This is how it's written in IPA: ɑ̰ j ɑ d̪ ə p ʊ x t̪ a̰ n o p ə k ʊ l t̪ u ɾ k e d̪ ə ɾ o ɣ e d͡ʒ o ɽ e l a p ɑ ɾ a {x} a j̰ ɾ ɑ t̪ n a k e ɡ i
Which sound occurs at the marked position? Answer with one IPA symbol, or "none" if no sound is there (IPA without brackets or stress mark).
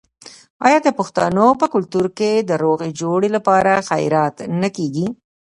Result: x